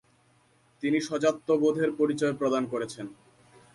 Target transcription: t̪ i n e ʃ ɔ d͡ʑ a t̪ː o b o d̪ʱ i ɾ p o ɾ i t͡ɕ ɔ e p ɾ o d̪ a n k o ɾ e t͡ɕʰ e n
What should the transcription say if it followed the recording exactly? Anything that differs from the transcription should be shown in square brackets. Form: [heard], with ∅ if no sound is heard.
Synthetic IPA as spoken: t̪ i n [i] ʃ ɔ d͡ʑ a t̪ː o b o d̪ʱ [e] ɾ p o ɾ i t͡ɕ ɔ e p ɾ o d̪ a n k o ɾ e t͡ɕʰ e n